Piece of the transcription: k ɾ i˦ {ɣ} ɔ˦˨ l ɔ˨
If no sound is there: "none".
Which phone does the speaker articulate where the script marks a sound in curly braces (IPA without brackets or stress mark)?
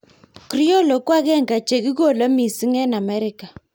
none